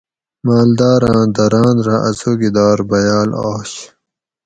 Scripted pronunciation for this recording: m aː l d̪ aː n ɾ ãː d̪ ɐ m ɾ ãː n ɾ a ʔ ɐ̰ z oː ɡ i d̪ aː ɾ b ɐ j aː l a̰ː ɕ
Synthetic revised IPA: m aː l d̪ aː ɾ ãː d̪ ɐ ɾ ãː n ɾ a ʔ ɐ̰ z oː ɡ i d̪ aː ɾ b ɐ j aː l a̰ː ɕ